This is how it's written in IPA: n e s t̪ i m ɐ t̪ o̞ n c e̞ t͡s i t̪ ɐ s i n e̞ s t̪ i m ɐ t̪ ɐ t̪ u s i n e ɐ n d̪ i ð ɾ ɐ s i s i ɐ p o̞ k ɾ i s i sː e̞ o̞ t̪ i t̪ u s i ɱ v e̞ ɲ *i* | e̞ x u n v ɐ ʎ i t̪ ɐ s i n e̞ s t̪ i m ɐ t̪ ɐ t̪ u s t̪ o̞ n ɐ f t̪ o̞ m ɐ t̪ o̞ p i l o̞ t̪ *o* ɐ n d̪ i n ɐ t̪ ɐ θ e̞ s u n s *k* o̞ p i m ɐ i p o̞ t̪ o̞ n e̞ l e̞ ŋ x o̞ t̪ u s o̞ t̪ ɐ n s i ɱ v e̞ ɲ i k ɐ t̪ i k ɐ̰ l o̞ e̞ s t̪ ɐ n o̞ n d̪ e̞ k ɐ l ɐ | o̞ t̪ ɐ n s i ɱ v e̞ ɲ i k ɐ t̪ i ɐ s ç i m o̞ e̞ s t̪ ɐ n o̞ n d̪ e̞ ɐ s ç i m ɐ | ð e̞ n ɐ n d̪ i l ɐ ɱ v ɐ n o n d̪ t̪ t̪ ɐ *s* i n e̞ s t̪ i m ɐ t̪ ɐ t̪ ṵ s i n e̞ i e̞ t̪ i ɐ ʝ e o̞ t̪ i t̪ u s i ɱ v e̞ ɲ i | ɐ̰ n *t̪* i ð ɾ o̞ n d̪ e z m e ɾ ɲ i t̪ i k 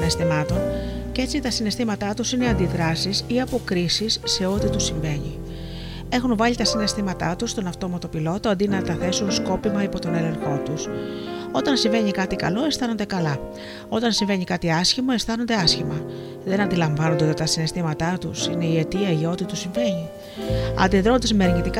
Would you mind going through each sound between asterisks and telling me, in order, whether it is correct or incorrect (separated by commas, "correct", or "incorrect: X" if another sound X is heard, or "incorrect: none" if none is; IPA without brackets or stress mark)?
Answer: correct, correct, correct, correct, incorrect: d̪